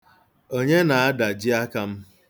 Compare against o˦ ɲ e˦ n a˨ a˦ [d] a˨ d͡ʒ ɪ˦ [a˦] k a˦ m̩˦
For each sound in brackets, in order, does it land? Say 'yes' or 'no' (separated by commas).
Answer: yes, yes